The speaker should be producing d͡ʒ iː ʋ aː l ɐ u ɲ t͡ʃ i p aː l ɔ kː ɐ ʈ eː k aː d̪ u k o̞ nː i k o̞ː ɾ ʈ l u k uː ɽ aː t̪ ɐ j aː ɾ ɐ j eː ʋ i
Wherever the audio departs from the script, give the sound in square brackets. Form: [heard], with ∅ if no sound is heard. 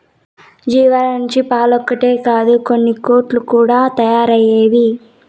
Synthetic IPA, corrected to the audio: d͡ʒ iː ʋ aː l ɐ u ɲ t͡ʃ i p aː l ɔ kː ɐ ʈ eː k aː d̪ u k o̞ nː i k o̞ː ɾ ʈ l u k uː ɽ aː t̪ ɐ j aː ɾ ɐ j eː ʋ i